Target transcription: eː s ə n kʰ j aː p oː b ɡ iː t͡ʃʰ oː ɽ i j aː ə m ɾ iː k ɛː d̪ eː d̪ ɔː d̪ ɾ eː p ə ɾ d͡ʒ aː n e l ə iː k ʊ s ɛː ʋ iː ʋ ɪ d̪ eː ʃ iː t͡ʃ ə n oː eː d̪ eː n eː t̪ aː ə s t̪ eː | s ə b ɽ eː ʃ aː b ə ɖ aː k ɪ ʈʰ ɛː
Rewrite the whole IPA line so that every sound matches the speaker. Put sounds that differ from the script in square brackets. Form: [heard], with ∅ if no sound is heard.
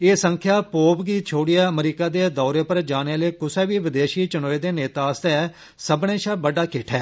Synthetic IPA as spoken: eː s ə [ŋ] kʰ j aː p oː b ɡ iː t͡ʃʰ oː ɽ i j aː ə m ɾ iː k [aː] d̪ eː d̪ ɔː [∅] ɾ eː p ə ɾ d͡ʒ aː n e l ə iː k ʊ s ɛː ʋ iː ʋ ɪ d̪ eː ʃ iː t͡ʃ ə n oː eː d̪ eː n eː t̪ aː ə s t̪ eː | s ə b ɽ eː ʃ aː b ə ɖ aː k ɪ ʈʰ ɛː